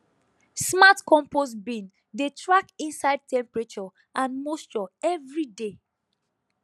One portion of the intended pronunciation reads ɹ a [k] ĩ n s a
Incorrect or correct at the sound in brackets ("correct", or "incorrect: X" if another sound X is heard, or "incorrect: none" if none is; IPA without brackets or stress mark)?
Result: correct